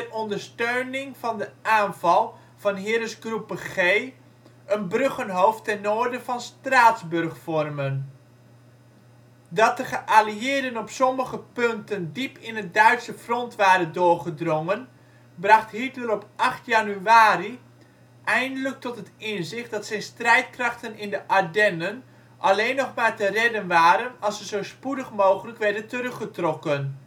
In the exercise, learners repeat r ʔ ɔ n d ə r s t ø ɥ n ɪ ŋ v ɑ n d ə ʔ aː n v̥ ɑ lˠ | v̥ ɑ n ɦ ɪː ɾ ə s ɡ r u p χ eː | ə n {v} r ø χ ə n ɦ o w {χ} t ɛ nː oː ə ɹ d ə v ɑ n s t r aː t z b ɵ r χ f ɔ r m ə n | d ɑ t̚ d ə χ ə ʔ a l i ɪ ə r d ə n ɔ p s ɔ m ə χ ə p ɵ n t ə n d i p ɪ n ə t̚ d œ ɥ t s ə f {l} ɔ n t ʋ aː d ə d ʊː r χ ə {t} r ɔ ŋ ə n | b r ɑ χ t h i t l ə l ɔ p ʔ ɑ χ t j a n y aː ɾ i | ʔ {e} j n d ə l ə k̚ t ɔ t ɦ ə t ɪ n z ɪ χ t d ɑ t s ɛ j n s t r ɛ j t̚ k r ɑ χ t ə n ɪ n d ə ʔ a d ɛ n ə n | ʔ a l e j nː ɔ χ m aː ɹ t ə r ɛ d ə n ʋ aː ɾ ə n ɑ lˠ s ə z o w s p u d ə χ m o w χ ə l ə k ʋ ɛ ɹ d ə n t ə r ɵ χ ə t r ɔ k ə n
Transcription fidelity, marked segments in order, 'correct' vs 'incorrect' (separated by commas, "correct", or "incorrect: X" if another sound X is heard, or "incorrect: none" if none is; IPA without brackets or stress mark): incorrect: b, incorrect: f, incorrect: r, incorrect: d, incorrect: ɛ